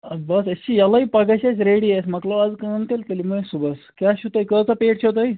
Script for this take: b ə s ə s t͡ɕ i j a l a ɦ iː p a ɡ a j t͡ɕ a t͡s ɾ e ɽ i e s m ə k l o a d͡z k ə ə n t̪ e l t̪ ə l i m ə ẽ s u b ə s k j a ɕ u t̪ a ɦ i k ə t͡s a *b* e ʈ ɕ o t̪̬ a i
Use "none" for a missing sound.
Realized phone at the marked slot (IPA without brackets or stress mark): p